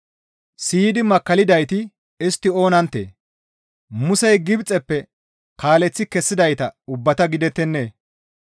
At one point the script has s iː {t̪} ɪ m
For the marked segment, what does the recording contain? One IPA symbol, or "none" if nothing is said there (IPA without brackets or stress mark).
d̪